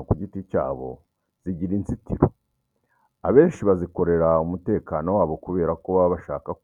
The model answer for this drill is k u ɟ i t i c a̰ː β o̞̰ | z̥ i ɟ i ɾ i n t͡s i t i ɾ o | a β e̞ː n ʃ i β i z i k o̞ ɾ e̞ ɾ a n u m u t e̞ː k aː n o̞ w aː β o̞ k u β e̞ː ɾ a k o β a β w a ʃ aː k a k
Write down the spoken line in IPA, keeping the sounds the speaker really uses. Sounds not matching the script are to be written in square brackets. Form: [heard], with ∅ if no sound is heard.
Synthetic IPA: k u ɟ i t i c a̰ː β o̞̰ | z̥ i ɟ i ɾ i n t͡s i t i ɾ o | a β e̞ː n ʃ i β [a] z i k o̞ ɾ e̞ ɾ a [∅] u m u t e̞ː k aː n o̞ w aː β o̞ k u β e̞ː ɾ a k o β a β [β] a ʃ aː k a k